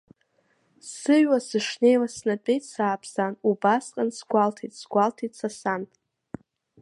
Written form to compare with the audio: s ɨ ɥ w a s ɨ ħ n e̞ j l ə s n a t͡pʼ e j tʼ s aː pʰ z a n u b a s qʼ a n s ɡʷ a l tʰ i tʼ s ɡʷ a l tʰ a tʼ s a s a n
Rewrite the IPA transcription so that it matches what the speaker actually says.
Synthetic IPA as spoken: s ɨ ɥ w a s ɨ ʂ n e̞ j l a s n a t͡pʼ e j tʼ s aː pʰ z a n u b a s qʼ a n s ɡʷ a l tʰ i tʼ s ɡʷ a l tʰ i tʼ s a s a n